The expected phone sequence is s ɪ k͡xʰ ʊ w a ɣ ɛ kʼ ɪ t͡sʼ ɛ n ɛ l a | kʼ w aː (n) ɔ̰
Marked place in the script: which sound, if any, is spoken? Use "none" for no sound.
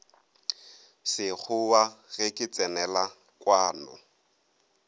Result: n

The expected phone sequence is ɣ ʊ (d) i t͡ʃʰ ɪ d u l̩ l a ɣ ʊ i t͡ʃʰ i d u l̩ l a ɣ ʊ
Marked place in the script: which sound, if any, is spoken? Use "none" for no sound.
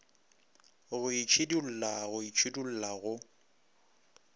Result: none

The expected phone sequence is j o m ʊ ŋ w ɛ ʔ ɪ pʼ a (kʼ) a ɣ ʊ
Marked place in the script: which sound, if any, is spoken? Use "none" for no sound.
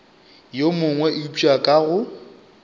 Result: kʼ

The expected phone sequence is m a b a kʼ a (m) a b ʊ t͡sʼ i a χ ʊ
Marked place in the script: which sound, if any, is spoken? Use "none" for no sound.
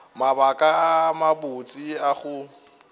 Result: m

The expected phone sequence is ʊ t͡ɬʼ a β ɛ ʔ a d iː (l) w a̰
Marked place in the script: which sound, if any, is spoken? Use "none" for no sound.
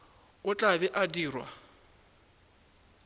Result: r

